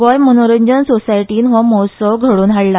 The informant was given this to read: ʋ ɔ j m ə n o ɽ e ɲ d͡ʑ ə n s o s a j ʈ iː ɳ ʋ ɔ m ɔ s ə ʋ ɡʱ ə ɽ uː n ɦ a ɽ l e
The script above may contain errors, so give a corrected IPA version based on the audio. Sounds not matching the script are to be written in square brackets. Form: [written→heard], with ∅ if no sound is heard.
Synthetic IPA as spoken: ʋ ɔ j m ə n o [ɽ→ɾ] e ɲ d͡ʑ ə n s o s a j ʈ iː [ɳ→n] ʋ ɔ m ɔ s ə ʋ ɡʱ ə ɽ uː n ɦ a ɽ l [e→a]